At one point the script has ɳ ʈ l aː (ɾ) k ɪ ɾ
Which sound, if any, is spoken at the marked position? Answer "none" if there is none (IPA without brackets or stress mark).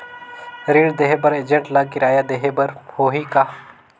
none